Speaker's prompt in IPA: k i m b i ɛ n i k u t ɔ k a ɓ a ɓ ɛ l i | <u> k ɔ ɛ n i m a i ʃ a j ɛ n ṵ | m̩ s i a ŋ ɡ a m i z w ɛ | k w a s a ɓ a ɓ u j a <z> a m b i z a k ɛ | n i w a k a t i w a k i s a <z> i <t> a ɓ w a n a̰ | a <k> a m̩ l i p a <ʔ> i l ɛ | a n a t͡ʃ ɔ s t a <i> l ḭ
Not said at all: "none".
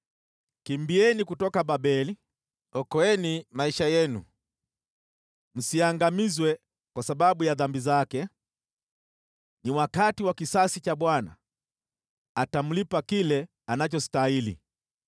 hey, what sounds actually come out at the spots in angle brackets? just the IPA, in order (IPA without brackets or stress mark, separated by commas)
ɔ, ð, s, t͡ʃ, t, k, i